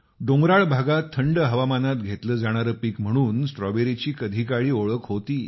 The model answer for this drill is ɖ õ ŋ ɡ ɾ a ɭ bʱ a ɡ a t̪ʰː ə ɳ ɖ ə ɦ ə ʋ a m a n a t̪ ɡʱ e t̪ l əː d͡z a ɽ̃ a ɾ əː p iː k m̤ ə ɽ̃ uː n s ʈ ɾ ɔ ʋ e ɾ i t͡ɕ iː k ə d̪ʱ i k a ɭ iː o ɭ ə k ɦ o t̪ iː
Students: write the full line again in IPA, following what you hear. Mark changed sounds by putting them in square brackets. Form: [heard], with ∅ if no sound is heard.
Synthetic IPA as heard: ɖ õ ŋ ɡ ɾ a ɭ bʱ a ɡ a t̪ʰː ə ɳ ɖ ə ɦ ə ʋ a m a n a t̪ ɡʱ e t̪ l əː d͡z a ɽ̃ a ɾ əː p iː k m̤ ə ɽ̃ uː n s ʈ ɾ ɔ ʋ e ɾ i t͡ɕ iː k ə d̪ʱ i k a ɭ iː o ɭ ə k ɦ o t̪ iː